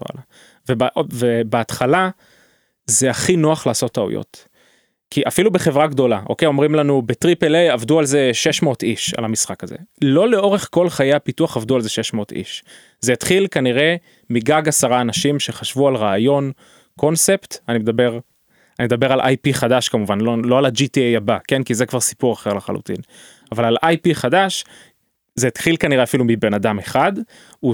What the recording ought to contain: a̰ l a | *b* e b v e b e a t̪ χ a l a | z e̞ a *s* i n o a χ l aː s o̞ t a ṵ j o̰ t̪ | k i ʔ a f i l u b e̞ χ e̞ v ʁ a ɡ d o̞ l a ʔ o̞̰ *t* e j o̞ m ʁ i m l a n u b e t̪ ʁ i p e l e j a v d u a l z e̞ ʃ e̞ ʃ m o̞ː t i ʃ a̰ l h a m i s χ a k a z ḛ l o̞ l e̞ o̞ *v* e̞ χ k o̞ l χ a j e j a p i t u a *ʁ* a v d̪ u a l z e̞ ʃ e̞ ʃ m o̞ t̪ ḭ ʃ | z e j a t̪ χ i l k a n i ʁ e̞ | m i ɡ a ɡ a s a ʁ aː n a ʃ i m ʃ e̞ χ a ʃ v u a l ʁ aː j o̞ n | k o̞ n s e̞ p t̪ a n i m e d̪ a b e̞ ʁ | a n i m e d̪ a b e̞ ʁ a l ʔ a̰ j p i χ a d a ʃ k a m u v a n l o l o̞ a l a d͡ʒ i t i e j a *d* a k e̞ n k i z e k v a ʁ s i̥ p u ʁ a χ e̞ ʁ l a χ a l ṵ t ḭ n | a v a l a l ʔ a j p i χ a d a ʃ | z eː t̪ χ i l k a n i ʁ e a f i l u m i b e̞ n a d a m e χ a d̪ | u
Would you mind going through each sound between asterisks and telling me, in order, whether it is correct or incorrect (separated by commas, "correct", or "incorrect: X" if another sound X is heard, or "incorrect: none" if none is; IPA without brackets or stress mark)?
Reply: incorrect: v, incorrect: χ, incorrect: k, incorrect: ʁ, incorrect: χ, incorrect: b